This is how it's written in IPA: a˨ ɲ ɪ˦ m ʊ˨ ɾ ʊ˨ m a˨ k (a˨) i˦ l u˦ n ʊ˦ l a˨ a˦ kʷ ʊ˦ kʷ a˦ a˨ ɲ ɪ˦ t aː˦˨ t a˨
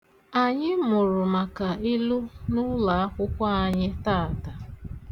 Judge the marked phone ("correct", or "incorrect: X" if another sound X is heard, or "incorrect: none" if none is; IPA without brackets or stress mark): correct